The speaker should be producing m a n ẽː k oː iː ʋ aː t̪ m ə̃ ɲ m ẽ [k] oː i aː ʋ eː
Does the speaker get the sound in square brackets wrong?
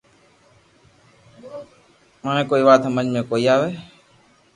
no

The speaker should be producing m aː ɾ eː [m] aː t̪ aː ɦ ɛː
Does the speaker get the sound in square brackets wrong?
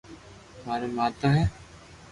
no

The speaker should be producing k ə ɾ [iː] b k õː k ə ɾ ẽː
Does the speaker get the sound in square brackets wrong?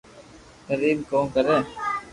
no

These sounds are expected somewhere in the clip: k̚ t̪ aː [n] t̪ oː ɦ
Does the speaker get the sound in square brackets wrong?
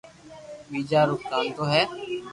no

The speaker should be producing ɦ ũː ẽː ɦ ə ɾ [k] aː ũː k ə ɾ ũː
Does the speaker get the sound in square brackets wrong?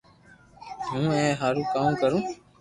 no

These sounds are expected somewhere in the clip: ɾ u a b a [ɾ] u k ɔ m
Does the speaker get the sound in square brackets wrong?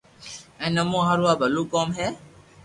yes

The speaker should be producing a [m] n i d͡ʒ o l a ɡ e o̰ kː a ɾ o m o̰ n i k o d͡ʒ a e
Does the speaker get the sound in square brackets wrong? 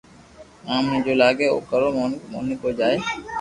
no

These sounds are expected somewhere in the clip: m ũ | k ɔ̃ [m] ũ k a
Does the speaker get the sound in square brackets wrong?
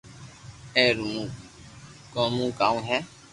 no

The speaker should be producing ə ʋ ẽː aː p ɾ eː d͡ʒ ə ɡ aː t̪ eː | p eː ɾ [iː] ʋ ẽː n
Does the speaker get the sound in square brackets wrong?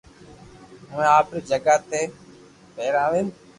yes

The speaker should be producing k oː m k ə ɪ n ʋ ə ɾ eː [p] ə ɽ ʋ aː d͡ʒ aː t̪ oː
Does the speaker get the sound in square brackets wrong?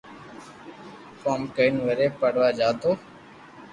no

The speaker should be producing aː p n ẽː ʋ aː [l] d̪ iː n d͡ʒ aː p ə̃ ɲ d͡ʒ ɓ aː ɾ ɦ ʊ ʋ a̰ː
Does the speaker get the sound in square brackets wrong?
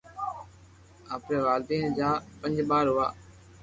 no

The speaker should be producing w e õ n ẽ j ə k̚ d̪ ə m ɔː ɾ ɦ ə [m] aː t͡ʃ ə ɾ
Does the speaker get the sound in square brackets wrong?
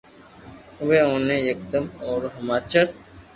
no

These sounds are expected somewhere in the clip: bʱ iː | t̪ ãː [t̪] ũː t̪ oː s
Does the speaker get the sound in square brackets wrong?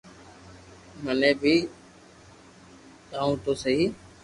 yes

